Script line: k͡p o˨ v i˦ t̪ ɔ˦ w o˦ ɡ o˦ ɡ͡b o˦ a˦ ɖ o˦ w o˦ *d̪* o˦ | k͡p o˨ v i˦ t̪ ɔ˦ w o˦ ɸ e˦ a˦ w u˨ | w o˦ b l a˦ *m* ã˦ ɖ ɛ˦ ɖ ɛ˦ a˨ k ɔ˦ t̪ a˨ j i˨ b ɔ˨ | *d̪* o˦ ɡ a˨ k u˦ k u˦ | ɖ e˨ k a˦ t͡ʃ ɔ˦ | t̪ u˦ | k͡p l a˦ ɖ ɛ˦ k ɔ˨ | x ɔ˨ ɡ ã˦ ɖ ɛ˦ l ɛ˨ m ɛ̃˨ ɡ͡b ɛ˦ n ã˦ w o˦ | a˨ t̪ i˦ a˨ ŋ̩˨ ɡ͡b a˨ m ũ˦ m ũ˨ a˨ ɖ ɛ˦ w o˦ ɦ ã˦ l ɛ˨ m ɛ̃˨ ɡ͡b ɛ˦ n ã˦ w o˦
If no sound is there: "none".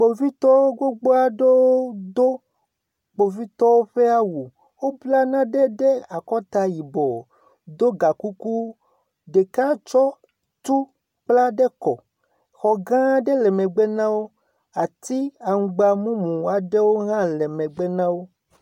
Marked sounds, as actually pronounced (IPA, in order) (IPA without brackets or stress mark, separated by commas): d̪, n, d̪